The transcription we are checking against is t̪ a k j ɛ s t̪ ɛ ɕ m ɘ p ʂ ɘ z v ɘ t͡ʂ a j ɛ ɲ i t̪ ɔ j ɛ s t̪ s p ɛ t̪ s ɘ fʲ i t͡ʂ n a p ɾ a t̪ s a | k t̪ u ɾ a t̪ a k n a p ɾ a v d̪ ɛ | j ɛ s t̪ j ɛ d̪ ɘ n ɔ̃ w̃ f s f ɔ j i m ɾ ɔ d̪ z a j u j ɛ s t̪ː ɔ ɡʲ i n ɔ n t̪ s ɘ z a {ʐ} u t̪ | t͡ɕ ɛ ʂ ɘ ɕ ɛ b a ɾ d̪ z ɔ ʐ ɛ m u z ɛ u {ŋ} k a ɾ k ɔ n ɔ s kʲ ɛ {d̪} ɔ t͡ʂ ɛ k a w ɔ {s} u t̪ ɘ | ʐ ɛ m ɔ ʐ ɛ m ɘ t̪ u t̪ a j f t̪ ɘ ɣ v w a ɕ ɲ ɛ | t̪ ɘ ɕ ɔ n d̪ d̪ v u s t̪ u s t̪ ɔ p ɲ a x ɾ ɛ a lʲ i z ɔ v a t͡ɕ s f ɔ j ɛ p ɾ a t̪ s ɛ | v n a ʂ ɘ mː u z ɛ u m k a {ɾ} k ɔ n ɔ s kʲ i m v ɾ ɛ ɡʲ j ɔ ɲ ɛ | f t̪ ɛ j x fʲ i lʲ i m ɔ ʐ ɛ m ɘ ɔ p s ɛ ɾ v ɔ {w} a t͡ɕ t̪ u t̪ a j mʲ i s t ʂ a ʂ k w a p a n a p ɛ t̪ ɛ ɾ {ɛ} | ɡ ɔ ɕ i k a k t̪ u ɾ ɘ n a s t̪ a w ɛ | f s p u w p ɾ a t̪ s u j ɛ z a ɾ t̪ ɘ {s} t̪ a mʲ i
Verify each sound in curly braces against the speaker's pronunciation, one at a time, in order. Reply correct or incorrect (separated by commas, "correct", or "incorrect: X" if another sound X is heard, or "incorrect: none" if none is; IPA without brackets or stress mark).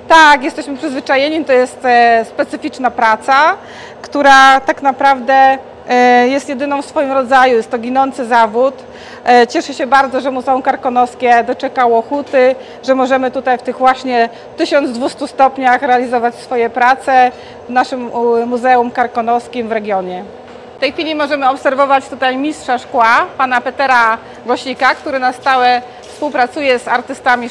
incorrect: v, incorrect: m, correct, incorrect: x, correct, incorrect: v, incorrect: a, correct